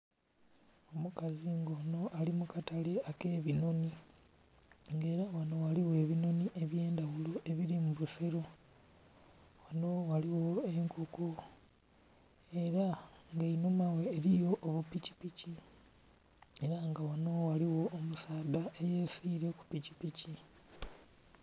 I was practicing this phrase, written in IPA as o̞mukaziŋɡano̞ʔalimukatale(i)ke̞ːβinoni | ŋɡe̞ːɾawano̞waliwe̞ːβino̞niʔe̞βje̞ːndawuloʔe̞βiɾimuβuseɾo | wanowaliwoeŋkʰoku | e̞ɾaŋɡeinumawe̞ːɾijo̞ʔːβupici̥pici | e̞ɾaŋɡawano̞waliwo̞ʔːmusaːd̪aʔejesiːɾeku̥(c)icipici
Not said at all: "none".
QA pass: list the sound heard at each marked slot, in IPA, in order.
a, p

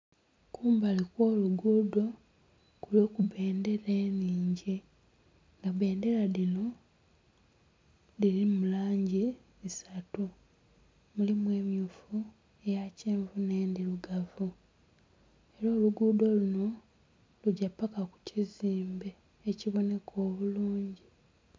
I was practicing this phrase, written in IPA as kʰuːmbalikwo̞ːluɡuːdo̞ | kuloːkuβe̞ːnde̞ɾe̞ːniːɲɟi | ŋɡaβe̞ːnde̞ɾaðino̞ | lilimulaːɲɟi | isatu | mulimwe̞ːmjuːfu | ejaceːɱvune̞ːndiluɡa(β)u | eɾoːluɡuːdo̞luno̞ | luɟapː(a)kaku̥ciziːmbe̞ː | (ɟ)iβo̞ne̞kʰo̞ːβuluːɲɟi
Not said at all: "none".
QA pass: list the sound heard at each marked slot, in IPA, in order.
v, a, c

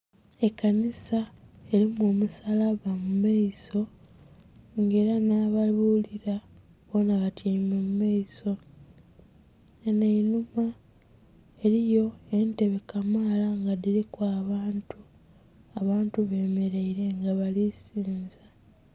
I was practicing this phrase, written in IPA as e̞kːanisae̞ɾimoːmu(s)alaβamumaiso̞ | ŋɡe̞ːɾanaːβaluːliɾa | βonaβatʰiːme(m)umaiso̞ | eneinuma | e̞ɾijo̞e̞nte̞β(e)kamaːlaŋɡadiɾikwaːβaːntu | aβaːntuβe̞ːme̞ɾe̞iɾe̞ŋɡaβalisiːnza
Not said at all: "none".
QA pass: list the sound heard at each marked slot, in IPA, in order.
s, m, e

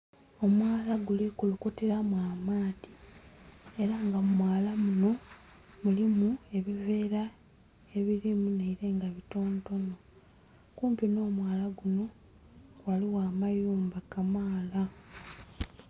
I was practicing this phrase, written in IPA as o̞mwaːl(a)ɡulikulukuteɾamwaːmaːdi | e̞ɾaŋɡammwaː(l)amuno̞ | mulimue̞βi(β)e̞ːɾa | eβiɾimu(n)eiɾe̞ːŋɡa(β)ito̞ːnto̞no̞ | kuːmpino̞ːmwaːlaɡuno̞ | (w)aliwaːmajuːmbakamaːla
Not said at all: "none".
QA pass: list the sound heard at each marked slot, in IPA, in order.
a, l, v, n, β, w

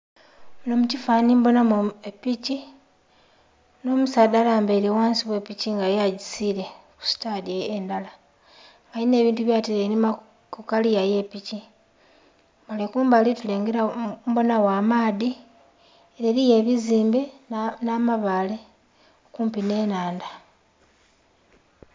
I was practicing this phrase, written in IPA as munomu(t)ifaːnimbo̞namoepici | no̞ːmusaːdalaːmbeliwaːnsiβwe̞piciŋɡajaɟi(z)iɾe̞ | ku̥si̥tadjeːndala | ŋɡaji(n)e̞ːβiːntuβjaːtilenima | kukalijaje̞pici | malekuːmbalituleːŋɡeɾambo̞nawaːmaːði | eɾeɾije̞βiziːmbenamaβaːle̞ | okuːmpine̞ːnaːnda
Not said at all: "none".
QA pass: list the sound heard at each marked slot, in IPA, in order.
c, s, n

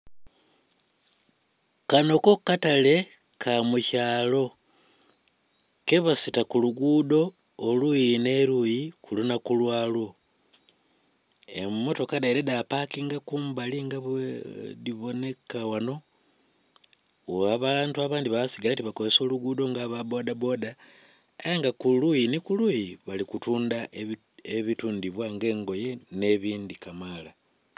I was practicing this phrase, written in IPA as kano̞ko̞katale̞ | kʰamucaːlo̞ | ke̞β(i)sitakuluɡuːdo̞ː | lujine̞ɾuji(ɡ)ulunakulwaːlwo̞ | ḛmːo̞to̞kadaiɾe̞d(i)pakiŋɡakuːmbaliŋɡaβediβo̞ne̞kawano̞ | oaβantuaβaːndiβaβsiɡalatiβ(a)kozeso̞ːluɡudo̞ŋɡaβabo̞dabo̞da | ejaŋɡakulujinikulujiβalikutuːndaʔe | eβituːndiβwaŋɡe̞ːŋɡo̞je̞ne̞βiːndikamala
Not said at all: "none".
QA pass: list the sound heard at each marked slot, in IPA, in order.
a, k, a, a

